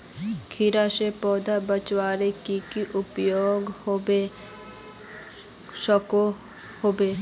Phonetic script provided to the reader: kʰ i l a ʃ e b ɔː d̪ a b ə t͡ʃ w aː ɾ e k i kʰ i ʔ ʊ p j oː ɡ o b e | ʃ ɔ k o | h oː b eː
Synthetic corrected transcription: kʰ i ɾ a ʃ e p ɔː d̪ a b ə t͡ʃ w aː ɾ e k i k i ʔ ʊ p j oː ɡ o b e | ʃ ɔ k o | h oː b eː